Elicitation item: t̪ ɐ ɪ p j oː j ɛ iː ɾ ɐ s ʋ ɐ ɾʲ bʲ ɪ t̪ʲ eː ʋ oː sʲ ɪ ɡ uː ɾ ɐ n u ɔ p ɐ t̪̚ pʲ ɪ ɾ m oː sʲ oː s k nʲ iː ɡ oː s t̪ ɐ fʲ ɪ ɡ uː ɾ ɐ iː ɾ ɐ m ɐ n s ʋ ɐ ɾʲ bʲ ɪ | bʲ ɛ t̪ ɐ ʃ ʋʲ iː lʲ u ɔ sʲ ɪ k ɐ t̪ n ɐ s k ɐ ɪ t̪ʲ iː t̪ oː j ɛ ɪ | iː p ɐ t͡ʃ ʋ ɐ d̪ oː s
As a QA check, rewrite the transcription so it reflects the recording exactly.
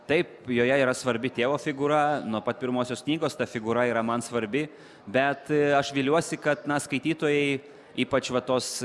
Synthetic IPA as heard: t̪ ɐ ɪ p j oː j ɛ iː ɾ ɐ s ʋ ɐ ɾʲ bʲ ɪ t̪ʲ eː ʋ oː fʲ ɪ ɡ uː ɾ ɐ n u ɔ p ɐ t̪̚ pʲ ɪ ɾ m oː sʲ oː s k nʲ iː ɡ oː s t̪ ɐ fʲ ɪ ɡ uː ɾ ɐ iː ɾ ɐ m ɐ n s ʋ ɐ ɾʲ bʲ ɪ | bʲ ɛ t̪ ɐ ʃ ʋʲ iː lʲ u ɔ sʲ ɪ k ɐ t̪ n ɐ s k ɐ ɪ t̪ʲ iː t̪ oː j ɛ ɪ | iː p ɐ t͡ʃ ʋ ɐ t̪ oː s